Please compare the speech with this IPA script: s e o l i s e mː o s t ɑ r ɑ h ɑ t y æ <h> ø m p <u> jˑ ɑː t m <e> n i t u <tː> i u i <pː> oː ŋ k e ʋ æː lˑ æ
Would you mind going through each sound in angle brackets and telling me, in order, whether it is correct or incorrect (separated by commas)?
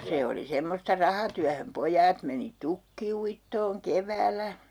correct, incorrect, correct, incorrect, incorrect